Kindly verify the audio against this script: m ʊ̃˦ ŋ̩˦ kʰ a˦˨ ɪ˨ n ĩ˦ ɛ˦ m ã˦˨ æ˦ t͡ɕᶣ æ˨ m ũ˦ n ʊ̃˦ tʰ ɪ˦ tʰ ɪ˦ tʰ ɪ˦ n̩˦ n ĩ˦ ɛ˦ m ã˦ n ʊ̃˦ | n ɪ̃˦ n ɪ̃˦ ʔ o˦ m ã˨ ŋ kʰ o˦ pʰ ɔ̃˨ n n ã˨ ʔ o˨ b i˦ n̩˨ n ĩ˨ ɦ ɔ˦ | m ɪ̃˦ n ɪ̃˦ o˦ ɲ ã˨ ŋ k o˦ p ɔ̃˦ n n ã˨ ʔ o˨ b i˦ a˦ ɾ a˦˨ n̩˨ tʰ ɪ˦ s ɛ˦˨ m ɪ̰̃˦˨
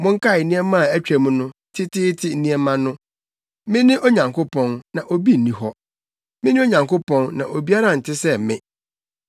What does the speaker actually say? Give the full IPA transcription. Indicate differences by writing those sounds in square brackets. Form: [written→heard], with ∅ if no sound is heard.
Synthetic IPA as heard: m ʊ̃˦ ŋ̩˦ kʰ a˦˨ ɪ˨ n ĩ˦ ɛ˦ m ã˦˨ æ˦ t͡ɕᶣ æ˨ m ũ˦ n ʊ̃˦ tʰ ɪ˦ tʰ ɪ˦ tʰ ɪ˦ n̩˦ n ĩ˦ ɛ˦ m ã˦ n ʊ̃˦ | [n→m] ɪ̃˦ n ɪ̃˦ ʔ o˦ [m→ɲ] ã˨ ŋ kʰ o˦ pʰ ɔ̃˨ n n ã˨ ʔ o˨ b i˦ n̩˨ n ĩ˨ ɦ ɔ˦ | m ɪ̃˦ n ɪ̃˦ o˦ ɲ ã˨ ŋ k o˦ p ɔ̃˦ n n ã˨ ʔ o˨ b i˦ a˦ ɾ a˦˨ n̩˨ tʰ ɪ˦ s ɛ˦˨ m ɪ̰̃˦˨

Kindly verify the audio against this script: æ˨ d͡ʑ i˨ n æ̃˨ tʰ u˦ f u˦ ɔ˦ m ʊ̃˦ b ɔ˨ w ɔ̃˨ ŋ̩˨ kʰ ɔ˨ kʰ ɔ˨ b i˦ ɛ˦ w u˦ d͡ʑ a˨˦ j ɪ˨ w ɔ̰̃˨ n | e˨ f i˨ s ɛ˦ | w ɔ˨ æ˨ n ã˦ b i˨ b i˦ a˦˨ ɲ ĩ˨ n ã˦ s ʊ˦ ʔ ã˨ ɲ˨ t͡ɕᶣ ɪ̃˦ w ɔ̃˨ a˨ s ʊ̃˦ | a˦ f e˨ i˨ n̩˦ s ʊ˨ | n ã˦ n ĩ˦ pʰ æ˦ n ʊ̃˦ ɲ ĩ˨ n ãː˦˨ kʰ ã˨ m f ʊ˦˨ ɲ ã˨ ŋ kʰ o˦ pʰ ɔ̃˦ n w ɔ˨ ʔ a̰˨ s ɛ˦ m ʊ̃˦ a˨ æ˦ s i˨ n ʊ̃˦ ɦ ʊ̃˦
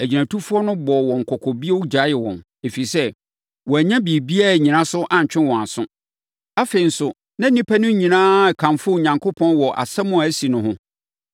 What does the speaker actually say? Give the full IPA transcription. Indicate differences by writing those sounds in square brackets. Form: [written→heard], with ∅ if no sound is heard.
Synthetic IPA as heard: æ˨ d͡ʑ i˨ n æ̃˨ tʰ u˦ f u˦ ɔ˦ [m→n] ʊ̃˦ b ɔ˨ w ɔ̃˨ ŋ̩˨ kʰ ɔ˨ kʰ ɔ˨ b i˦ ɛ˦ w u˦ d͡ʑ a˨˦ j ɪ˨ w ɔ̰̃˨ n | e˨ f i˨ s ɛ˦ | w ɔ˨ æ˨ [n→ɲ] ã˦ b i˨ b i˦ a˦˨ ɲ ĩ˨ n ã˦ s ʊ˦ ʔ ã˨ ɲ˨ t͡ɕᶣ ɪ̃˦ w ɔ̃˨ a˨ s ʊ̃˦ | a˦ f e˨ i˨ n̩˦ s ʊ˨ | n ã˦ n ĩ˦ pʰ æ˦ n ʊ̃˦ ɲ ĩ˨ n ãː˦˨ kʰ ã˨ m f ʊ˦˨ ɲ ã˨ ŋ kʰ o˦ pʰ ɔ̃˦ n w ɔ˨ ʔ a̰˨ s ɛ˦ m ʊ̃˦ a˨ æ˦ s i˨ n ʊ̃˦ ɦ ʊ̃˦

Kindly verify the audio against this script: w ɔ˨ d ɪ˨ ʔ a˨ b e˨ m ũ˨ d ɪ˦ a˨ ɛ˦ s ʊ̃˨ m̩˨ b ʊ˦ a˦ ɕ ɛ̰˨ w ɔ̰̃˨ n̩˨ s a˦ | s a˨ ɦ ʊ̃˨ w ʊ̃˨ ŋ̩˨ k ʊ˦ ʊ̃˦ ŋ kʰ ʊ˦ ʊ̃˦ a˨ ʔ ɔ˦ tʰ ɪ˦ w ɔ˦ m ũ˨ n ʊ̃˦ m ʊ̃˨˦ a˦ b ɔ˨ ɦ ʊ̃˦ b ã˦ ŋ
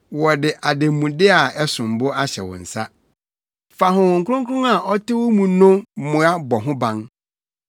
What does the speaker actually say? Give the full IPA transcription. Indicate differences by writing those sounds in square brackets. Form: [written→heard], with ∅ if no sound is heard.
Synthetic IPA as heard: w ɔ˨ d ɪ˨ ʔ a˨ [b→d] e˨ m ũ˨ d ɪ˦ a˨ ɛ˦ s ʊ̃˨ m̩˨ b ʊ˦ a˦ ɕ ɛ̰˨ w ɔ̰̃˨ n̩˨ s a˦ | [s→f] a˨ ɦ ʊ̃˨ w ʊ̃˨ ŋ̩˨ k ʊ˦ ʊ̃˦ ŋ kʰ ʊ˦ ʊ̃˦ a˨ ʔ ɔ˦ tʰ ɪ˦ w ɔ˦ m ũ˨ n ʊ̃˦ m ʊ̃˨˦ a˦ b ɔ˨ ɦ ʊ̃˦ b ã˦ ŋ

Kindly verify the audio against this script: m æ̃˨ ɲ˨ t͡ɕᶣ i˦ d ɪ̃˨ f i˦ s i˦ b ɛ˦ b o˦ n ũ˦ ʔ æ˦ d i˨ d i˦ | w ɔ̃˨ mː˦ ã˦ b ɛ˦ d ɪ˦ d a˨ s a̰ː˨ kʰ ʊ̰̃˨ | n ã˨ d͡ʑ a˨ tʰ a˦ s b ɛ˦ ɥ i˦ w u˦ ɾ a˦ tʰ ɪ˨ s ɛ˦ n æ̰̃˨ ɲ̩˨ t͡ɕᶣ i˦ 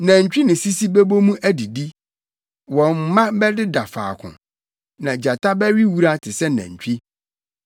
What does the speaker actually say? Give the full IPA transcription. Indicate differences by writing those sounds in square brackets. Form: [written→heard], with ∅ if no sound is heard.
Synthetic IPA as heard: [m→n] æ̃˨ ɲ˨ t͡ɕᶣ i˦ [d→n] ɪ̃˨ [f→s] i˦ s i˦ b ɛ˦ b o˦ [n→m] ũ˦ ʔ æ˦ d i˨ d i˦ | w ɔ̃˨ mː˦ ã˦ b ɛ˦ d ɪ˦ d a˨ [s→f] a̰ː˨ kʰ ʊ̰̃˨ | n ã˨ d͡ʑ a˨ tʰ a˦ [s→∅] b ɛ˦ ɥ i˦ w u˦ ɾ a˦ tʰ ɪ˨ s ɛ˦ n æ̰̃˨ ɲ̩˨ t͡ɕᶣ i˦

